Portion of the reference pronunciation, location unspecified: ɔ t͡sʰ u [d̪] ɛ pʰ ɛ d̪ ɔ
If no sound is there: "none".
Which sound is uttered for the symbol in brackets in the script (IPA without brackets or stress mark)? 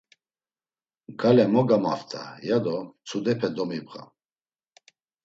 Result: d̪